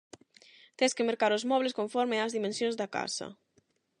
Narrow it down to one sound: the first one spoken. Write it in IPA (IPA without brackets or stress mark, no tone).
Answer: t̪